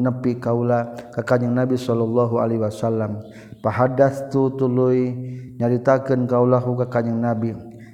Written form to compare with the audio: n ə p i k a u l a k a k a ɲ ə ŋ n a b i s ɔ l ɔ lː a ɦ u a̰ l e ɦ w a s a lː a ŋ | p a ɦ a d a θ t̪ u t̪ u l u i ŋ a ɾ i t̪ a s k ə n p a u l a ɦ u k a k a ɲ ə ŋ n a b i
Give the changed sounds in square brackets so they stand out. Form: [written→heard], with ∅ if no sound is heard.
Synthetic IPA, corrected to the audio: n ə p i k a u l a k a k a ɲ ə ŋ n a b i s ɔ l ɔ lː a ɦ u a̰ l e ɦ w a s a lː a [ŋ→m] | p a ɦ a d a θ t̪ u t̪ u l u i [ŋ→ɲ] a ɾ i t̪ a [s→∅] k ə n [p→k] a u l a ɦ u k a k a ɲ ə ŋ n a b i